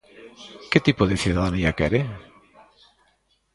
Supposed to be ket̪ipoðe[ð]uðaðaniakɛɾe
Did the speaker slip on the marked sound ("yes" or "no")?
yes